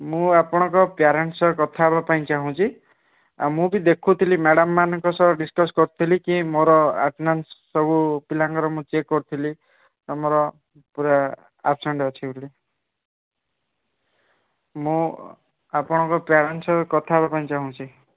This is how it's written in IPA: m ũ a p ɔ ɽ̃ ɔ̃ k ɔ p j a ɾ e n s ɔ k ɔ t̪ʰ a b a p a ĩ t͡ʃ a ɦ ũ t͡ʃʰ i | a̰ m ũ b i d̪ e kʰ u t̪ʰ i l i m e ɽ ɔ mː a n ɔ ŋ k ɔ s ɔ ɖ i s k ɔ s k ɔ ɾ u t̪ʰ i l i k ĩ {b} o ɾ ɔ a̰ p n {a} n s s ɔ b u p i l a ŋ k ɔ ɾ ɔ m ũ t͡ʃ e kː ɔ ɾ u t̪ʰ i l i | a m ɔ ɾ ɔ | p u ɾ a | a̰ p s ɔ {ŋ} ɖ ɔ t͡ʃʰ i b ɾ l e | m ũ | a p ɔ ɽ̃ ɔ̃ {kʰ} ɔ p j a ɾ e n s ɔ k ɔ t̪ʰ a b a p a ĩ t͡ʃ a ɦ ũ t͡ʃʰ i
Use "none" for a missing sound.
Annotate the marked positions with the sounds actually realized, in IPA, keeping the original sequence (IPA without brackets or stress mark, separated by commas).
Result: m, a, ɳ, k